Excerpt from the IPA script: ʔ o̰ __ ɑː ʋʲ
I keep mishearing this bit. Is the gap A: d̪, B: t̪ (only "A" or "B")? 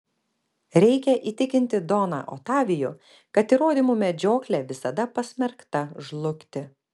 B